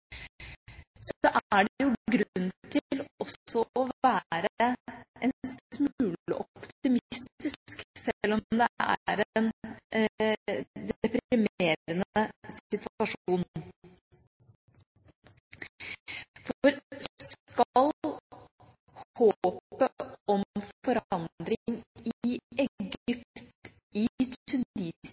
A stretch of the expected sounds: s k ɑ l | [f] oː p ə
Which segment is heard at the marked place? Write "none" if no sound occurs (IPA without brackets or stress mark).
h